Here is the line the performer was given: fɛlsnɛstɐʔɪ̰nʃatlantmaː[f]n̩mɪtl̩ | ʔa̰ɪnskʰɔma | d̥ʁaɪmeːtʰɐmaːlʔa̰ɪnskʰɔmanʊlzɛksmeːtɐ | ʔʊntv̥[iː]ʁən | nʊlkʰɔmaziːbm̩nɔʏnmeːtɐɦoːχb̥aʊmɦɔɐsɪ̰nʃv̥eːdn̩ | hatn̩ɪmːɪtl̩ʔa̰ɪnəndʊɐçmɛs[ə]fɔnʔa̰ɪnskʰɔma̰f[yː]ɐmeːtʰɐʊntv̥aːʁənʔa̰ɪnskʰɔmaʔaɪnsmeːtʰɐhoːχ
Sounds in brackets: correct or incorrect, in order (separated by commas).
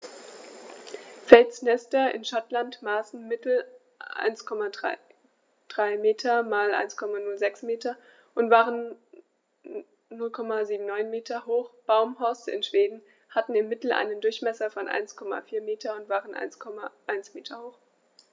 incorrect, incorrect, incorrect, incorrect